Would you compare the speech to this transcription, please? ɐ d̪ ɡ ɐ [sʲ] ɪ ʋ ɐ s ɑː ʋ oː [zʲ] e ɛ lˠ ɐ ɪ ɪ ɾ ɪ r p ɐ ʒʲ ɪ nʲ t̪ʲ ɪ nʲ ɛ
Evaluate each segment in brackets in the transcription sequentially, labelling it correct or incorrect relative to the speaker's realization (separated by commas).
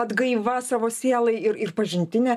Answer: incorrect, incorrect